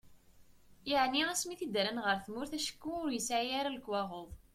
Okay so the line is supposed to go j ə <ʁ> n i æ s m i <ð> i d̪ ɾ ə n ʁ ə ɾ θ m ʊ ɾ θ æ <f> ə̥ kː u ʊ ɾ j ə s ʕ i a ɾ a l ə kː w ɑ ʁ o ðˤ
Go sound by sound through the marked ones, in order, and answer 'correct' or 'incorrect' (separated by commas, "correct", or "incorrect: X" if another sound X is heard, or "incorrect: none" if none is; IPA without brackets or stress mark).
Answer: incorrect: ʕ, incorrect: θ, incorrect: ʃ